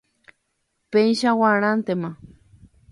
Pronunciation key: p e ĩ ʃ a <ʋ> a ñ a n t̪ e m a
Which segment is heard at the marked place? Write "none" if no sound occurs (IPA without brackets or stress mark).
w